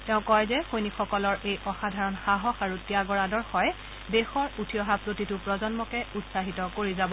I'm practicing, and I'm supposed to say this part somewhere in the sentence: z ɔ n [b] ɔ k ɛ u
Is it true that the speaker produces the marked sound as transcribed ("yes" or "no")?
no